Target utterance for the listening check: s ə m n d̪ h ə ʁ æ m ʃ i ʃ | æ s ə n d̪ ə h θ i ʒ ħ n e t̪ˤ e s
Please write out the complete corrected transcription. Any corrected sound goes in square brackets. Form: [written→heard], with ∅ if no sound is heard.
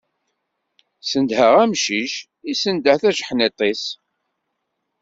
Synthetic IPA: s ə [m→∅] n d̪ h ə ʁ æ m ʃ i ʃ | [æ→i] s ə n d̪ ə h θ [i→æ] ʒ ħ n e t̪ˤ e s